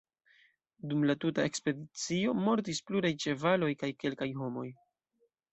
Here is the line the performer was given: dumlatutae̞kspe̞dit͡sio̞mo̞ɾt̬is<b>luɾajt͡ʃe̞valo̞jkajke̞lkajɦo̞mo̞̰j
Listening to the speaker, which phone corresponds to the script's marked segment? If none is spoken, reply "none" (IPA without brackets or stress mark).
p